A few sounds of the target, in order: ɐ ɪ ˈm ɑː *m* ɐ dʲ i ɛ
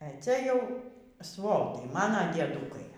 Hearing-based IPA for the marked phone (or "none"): n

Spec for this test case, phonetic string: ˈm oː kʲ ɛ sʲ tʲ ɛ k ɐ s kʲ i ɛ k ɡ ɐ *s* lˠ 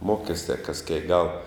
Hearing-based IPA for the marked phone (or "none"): none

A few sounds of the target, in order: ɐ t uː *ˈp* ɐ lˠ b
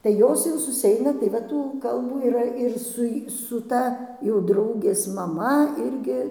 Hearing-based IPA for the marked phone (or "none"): k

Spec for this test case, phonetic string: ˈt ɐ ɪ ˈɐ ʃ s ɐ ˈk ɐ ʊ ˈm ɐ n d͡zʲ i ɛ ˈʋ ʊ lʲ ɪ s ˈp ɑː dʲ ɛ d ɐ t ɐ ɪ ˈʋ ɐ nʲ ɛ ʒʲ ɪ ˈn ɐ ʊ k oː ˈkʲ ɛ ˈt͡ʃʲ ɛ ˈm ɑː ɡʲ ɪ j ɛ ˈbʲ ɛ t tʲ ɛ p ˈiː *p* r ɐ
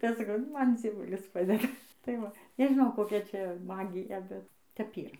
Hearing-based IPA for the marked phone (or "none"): none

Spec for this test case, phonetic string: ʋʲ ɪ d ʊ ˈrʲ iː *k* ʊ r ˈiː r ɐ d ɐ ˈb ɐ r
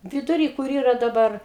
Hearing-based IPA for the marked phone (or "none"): k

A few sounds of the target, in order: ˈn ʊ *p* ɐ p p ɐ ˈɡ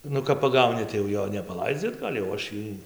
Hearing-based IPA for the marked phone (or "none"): k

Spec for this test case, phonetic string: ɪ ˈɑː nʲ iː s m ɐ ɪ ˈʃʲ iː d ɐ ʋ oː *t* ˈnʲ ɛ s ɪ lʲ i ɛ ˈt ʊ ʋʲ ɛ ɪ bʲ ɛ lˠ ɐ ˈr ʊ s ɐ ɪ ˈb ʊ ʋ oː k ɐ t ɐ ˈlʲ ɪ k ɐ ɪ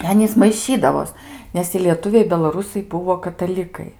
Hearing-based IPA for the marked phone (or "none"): s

